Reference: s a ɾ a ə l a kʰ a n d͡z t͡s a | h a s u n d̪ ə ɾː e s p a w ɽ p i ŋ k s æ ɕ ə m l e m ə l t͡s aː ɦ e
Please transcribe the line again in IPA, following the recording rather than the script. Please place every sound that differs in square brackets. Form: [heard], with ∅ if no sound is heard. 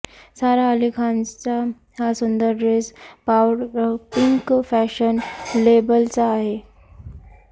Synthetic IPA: s a ɾ a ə l [i] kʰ a n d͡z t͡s a | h a s u n d̪ ə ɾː e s p a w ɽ p i ŋ k [f] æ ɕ ə [n] l e [b] ə l t͡s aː ɦ e